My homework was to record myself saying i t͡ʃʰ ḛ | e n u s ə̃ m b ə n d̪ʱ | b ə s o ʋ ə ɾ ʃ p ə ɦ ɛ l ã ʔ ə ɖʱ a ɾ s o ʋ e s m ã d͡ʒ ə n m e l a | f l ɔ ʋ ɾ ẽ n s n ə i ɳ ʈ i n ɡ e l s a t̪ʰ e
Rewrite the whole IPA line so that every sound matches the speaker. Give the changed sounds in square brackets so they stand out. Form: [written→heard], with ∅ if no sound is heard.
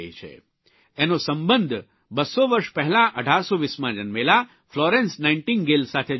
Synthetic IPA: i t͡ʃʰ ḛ | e n [u→o] s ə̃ m b ə n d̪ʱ | b ə s o ʋ ə ɾ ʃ p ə ɦ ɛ l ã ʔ ə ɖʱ a ɾ s o ʋ [e→i] s m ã d͡ʒ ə n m e l a | f l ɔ [ʋ→∅] ɾ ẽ n s n [ə→a] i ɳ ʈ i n ɡ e l s a t̪ʰ e